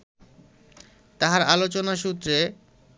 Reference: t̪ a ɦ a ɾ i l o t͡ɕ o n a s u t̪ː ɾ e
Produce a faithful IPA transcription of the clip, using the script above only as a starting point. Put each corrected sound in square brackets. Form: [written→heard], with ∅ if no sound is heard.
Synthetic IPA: t̪ a ɦ a ɾ [i→a] l o t͡ɕ o n a [s→ʃ] u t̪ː ɾ e